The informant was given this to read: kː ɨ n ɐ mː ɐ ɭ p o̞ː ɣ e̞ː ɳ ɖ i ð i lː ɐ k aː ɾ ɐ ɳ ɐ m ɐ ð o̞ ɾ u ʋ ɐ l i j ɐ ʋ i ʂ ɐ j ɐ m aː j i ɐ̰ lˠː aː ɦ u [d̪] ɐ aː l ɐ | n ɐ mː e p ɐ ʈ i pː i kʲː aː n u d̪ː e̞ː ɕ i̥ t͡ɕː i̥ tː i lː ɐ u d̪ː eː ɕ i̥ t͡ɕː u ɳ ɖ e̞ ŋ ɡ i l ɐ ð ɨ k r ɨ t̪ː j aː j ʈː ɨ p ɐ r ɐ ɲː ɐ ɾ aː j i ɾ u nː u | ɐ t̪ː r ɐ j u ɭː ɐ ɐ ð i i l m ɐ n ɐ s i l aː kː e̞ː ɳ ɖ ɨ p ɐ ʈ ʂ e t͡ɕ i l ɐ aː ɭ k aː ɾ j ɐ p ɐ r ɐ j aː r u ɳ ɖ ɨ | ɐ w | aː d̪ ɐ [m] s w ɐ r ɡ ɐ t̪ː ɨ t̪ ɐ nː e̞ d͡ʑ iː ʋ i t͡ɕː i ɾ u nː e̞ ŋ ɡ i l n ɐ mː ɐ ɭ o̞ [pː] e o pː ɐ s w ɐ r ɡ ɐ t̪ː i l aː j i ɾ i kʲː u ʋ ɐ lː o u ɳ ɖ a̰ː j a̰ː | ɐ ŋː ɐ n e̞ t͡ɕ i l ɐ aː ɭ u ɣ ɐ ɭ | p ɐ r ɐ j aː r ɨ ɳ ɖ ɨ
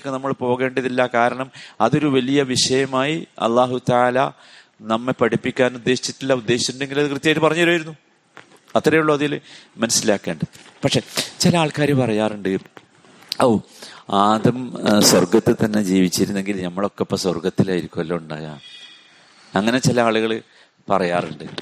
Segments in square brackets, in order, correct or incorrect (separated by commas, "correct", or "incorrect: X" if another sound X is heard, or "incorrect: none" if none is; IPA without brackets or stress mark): incorrect: t̪, correct, incorrect: kː